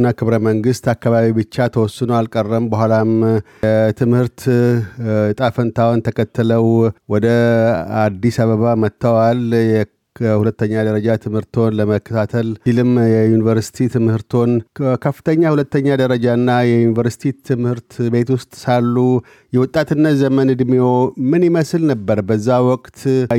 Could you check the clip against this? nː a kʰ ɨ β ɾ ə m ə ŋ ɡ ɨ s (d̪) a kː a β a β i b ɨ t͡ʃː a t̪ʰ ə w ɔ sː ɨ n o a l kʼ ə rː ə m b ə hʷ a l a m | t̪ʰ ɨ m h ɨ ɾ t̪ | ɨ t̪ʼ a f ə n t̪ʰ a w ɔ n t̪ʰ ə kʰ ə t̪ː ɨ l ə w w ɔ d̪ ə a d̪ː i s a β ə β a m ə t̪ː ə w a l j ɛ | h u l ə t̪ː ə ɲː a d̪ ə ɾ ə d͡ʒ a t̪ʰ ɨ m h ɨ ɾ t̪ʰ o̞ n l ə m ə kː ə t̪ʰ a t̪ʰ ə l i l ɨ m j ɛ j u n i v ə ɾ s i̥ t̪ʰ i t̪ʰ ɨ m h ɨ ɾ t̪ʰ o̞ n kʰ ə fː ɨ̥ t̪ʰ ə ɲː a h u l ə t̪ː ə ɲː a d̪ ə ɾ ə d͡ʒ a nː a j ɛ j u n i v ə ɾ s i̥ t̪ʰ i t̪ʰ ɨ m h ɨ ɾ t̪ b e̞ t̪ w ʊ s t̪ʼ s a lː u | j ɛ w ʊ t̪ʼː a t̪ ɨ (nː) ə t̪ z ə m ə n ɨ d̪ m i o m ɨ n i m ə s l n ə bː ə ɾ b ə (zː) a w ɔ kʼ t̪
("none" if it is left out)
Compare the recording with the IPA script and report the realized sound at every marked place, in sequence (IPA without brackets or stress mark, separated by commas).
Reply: t̪, nː, zː